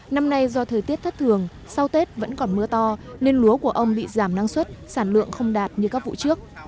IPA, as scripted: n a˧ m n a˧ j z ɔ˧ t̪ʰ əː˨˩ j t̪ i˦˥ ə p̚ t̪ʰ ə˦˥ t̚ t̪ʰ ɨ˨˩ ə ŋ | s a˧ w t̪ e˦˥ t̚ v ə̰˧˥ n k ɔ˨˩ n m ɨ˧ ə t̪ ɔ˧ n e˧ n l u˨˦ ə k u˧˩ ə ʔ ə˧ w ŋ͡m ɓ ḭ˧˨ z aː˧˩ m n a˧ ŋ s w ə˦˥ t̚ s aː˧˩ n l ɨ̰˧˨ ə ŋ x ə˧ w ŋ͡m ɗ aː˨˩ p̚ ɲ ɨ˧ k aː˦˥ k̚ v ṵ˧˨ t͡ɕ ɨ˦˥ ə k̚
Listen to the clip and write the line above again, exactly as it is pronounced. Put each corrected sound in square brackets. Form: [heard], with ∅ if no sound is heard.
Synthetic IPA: n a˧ m n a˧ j z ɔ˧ t̪ʰ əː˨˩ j t̪ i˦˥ ə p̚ t̪ʰ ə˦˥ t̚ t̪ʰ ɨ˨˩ ə ŋ | s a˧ w t̪ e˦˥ t̚ v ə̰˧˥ n k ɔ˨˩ n m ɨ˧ ə t̪ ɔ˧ n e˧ n l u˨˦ ə k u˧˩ ə ʔ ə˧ w ŋ͡m ɓ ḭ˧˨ z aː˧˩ m n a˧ ŋ s w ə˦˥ t̚ s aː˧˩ n l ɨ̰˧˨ ə ŋ x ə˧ w ŋ͡m ɗ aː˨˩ [t̚] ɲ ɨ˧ k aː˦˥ k̚ v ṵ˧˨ t͡ɕ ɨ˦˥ ə k̚